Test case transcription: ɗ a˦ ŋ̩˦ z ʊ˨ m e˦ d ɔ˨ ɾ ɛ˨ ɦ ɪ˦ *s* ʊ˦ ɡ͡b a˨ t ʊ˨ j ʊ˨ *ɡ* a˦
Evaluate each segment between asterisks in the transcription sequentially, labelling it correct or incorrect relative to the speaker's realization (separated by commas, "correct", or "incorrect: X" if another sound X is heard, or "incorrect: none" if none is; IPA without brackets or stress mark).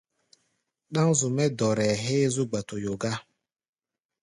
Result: incorrect: z, correct